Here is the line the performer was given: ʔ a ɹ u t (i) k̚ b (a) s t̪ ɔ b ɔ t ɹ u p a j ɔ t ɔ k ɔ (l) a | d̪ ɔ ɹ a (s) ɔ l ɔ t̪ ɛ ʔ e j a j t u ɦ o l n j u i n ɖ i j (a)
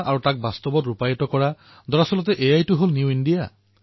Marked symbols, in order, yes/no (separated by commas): no, yes, no, yes, yes